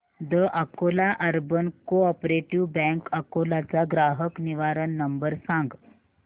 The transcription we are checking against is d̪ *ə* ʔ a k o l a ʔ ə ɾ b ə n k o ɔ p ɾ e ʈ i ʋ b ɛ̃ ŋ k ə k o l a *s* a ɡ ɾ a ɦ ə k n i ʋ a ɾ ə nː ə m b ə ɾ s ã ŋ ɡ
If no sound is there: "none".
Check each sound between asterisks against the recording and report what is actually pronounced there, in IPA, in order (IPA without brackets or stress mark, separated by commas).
ə, t͡s